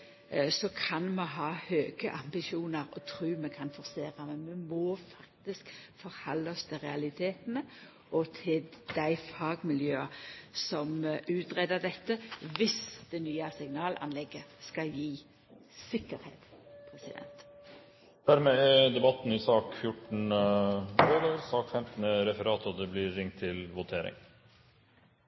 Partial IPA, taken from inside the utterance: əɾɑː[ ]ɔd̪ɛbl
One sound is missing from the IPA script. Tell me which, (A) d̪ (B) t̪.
B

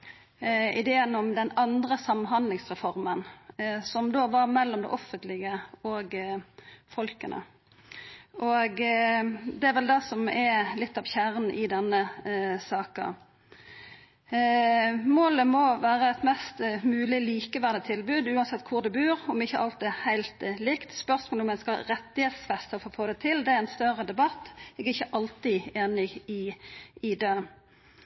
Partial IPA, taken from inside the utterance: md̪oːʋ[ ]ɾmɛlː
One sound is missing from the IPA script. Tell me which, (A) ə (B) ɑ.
B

